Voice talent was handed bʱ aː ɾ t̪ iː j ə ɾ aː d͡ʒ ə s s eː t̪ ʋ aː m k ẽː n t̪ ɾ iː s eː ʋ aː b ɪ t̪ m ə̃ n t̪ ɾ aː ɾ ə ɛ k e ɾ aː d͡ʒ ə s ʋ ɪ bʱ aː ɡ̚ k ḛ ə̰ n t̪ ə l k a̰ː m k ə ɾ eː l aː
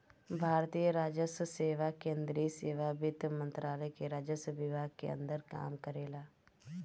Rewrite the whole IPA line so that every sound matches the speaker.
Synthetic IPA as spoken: bʱ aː ɾ t̪ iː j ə ɾ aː d͡ʒ ə s s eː ʋ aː k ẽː n d̪ ɾ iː s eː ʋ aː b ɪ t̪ m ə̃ n t̪ ɾ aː l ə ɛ k e ɾ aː d͡ʒ ə s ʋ ɪ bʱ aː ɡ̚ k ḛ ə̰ n d̪ ə ɾ k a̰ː m k ə ɾ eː l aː